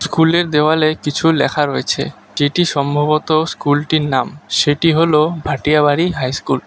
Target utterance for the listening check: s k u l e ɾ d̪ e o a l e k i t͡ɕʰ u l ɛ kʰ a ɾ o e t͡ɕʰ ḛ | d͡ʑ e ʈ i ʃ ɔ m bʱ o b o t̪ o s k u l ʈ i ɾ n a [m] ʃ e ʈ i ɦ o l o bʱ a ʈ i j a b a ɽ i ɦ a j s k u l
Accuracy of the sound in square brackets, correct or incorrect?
correct